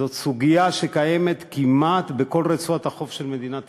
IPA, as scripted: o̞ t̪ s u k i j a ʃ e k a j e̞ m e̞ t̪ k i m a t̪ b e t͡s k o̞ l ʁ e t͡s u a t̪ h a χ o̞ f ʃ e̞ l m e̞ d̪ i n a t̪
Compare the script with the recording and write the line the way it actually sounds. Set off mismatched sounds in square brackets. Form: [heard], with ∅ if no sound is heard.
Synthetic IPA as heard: o̞ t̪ s u [ɡ] i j a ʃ e k a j e̞ m e̞ t̪ k i m a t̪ b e [∅] k o̞ l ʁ e t͡s u a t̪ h a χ o̞ f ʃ e̞ l m e̞ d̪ i n a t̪